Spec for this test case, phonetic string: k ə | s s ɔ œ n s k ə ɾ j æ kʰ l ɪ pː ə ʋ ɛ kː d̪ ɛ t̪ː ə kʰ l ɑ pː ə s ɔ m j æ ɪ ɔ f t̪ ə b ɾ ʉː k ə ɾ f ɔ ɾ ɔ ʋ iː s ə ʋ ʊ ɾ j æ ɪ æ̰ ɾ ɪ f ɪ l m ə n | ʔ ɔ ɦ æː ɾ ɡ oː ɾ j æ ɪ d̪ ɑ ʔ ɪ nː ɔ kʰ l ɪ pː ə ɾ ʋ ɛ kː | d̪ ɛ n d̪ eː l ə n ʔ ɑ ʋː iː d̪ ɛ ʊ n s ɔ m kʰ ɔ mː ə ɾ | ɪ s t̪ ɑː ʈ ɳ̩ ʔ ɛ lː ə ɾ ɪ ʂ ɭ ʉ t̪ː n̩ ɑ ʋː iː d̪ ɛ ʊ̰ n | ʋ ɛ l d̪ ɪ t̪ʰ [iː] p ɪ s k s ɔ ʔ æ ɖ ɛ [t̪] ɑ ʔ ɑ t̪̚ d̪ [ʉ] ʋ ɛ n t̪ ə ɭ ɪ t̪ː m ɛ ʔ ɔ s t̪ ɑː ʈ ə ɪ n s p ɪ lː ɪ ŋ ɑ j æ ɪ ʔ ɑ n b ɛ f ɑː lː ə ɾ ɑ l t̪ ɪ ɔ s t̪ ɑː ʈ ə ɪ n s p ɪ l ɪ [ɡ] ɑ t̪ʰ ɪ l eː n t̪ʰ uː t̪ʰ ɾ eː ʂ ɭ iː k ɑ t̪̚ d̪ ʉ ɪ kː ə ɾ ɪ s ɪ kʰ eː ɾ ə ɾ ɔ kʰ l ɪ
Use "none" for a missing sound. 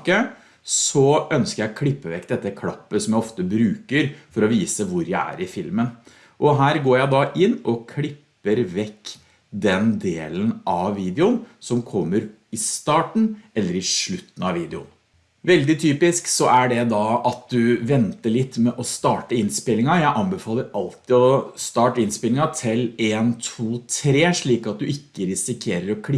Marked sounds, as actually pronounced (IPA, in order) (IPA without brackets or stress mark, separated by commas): yː, d̪, ʉ, ŋ